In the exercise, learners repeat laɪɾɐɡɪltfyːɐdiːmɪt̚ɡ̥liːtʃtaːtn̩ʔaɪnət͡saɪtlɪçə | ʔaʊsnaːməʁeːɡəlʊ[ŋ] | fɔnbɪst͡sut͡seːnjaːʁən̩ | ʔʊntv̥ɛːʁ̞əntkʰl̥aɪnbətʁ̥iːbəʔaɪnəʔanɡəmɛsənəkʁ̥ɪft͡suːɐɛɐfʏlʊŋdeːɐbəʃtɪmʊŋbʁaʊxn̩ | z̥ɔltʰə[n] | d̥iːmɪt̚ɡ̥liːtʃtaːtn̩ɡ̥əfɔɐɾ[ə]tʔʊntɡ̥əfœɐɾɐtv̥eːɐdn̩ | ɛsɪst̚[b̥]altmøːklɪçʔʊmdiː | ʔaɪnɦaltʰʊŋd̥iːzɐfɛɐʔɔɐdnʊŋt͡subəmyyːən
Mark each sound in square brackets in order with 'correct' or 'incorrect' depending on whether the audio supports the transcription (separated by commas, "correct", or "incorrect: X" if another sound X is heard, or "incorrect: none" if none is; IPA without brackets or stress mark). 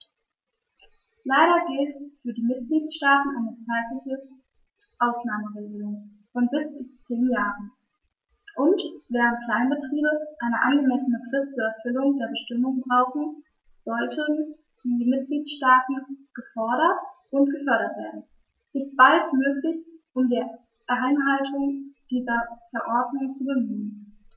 correct, correct, incorrect: ɐ, correct